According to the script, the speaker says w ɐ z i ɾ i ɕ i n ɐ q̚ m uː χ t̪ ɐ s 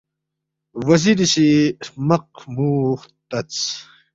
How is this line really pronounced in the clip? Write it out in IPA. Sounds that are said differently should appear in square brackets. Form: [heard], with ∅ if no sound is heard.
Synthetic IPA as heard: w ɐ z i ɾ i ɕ i [m] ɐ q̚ m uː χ t̪ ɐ [t͡s]